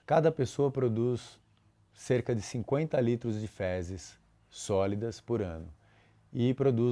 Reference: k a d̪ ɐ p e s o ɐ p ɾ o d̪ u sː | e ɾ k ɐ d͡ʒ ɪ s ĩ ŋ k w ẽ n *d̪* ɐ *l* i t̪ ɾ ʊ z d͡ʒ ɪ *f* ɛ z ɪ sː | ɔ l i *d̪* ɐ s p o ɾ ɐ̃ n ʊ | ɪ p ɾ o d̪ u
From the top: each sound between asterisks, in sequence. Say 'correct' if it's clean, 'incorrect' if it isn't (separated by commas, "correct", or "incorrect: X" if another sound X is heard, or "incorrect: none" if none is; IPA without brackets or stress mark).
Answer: incorrect: t̪, correct, correct, correct